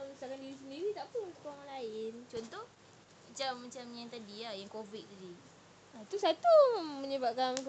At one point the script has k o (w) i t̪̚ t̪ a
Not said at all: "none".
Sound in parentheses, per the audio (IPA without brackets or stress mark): v